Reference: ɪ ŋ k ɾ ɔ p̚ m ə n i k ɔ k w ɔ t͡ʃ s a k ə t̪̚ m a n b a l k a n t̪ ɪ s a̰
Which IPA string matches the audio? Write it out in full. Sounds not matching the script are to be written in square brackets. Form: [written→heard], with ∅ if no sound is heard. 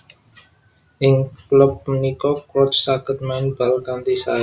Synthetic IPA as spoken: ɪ ŋ k [ɾ→l] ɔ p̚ m ə n i k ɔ k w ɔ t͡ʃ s a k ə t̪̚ m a n b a l k a n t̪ [ɪ→i] s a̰